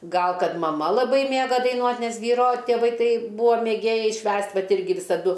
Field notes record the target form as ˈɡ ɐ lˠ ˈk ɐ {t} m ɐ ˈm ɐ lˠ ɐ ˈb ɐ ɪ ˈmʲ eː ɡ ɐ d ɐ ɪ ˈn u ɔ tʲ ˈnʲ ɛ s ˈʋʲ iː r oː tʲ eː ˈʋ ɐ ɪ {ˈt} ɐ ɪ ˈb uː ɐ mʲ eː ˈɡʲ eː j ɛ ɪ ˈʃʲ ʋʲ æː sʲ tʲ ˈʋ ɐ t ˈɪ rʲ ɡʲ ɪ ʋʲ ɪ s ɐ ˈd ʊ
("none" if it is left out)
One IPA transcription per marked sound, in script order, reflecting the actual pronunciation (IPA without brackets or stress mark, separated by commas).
t, t